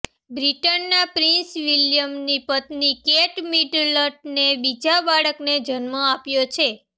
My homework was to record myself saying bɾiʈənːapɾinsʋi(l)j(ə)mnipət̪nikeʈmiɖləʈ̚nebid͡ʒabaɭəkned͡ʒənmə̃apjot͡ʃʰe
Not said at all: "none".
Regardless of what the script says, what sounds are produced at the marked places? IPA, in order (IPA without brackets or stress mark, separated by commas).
l, ə